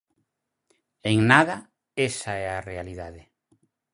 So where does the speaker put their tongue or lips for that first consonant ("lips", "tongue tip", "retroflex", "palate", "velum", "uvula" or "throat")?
velum